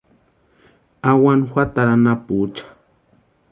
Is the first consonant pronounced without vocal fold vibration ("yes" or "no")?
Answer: no